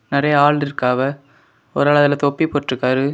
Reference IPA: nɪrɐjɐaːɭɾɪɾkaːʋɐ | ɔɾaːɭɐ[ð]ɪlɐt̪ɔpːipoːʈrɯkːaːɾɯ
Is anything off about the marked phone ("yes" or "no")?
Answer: no